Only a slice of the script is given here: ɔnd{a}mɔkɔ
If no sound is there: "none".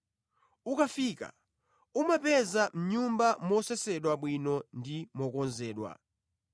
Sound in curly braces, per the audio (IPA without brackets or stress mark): i